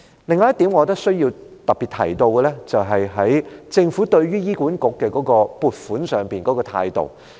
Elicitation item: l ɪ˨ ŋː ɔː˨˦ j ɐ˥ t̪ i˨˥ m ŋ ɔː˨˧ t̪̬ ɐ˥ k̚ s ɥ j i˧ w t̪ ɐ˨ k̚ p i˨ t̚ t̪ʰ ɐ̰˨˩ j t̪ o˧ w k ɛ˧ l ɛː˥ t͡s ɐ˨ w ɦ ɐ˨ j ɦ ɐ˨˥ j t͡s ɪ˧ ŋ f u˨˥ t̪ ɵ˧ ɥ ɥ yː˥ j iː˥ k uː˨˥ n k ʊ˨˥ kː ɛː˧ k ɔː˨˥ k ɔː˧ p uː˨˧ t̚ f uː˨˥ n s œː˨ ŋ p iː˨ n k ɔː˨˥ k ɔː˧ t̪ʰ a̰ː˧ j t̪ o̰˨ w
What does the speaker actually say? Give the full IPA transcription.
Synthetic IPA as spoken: l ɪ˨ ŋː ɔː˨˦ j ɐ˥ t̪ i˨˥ m ŋ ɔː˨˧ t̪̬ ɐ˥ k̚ s ɥ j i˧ w t̪ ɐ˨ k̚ p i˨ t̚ t̪ʰ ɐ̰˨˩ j t̪ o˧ w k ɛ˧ l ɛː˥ t͡s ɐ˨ w ɦ ɐ˨ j ɦ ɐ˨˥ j t͡s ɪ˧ ŋ f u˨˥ t̪ ɵ˧ ɥ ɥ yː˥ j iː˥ k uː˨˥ n k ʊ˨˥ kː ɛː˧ k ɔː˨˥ k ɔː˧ p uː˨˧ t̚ f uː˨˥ n s œː˨ ŋ p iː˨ n k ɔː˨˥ k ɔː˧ t̪ʰ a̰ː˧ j t̪ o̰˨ w